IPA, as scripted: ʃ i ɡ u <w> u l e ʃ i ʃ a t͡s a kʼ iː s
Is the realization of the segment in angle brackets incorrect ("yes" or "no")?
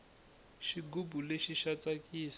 yes